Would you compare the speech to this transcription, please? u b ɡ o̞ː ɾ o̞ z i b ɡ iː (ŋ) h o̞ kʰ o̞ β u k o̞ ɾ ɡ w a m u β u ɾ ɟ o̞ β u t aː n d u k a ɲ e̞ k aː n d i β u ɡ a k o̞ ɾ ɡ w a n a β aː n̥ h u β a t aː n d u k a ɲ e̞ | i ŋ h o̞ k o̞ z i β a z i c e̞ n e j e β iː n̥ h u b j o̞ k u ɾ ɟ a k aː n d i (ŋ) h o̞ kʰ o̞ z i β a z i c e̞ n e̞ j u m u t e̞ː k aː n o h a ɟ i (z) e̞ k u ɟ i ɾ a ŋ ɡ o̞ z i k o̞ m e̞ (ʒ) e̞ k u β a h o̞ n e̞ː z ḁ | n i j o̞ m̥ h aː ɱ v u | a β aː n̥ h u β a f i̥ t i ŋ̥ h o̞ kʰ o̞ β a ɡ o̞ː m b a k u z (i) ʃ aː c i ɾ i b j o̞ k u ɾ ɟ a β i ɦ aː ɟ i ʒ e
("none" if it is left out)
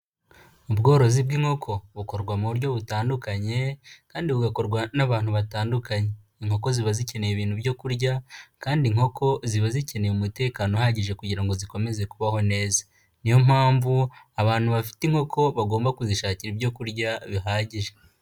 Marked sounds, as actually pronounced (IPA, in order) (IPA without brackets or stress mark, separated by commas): ŋ, ŋ, ʒ, z, i